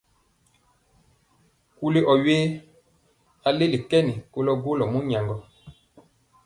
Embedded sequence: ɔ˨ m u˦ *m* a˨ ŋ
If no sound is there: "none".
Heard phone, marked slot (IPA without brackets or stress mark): ɲ